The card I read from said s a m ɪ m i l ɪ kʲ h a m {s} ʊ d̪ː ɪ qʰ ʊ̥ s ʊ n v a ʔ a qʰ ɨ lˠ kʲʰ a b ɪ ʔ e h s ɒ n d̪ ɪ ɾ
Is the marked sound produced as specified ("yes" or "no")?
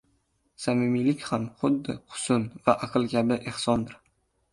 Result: no